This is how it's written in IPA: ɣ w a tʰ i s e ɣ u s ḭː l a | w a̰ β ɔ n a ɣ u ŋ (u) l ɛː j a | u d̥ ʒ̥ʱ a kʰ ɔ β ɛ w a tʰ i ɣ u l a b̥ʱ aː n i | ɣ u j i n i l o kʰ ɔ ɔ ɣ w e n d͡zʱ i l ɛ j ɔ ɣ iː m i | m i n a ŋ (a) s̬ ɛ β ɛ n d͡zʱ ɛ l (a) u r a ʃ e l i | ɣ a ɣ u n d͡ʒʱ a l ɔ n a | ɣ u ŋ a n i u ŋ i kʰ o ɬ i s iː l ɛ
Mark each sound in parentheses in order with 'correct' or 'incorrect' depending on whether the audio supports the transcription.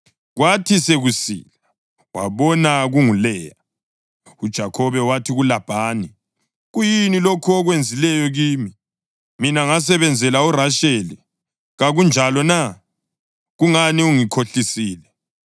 correct, correct, correct

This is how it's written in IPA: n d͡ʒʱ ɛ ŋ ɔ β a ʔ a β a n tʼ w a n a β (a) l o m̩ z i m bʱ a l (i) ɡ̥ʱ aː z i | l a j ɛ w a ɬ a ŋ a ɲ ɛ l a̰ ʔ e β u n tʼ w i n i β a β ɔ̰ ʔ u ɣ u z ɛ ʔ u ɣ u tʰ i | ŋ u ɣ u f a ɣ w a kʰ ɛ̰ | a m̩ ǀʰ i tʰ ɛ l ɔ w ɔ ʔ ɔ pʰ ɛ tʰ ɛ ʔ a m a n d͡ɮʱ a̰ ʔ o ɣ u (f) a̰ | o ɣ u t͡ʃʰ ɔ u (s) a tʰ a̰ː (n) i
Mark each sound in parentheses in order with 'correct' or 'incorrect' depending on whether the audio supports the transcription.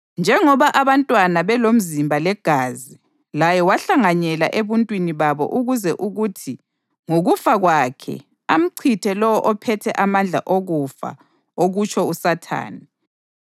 incorrect: ɛ, incorrect: ɛ, correct, correct, correct

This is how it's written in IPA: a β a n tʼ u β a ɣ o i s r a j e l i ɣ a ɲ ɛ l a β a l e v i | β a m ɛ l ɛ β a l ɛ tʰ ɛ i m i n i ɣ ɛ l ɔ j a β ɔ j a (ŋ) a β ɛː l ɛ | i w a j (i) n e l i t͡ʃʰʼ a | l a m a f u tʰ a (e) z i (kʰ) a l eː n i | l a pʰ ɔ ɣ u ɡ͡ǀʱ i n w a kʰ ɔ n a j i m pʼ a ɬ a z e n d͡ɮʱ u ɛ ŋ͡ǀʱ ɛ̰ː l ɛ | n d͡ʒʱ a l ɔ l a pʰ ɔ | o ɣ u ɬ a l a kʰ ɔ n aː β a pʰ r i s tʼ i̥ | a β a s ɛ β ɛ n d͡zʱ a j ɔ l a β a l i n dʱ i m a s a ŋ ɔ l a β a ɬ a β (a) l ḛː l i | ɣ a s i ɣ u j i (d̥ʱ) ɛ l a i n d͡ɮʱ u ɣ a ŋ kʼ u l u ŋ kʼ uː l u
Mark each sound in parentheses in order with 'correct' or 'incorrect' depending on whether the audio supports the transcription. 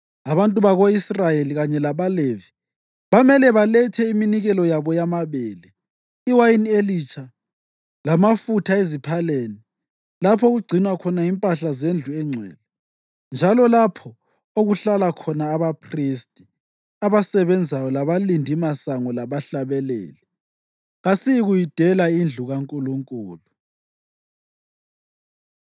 incorrect: m, correct, correct, incorrect: pʰ, incorrect: ɛ, correct

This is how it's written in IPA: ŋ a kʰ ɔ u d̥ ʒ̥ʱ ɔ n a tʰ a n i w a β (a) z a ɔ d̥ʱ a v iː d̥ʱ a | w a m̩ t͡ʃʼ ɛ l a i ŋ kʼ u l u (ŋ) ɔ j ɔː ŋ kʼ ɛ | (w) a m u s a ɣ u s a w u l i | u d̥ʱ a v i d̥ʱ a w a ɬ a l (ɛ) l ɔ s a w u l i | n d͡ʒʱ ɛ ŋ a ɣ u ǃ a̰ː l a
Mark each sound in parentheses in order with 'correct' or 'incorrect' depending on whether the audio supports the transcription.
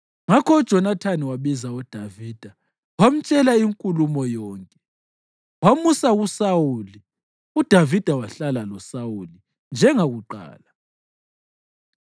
incorrect: i, incorrect: m, correct, incorrect: a

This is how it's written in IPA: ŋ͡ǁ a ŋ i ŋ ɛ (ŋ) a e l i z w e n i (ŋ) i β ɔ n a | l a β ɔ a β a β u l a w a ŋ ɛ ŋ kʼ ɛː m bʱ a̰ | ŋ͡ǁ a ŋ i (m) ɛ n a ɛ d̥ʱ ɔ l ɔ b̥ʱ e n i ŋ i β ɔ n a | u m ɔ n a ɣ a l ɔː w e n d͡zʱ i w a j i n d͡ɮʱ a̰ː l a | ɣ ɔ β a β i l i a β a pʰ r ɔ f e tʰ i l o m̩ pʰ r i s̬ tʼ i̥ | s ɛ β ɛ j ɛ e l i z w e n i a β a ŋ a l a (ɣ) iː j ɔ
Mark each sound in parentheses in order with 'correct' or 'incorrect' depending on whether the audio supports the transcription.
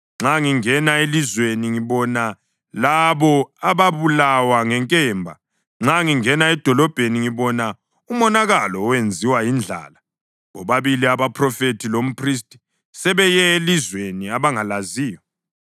incorrect: n, correct, incorrect: ŋ, incorrect: z

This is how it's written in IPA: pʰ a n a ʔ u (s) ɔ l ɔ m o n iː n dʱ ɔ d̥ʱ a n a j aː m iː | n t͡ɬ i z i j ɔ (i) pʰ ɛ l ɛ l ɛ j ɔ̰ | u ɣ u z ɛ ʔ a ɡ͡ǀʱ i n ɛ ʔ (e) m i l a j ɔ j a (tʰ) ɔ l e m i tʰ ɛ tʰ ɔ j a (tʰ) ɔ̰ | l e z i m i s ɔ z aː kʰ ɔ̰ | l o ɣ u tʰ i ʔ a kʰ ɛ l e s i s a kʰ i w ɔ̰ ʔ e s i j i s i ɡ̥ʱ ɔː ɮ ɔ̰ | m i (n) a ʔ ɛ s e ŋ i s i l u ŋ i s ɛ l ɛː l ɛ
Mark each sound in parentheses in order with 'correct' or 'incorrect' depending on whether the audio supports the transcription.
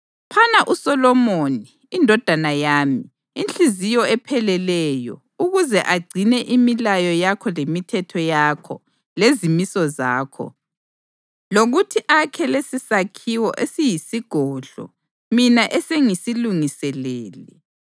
correct, incorrect: ɛ, incorrect: i, incorrect: kʰ, incorrect: kʰ, correct

